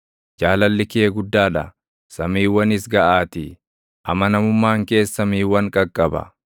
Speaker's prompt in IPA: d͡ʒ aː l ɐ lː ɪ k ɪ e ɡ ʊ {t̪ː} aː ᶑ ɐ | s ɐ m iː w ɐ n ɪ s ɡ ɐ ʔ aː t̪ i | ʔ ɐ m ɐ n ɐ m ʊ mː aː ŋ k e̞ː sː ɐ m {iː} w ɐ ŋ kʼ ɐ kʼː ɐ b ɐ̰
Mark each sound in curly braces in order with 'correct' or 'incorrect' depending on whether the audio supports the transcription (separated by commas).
incorrect, correct